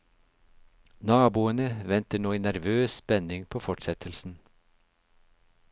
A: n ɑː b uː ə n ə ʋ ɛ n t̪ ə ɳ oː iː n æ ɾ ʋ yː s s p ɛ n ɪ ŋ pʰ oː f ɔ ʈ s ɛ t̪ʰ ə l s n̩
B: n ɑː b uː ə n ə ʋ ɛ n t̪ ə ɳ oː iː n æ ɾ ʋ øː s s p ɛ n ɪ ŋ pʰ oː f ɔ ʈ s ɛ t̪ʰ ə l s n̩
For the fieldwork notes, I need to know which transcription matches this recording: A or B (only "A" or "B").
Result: B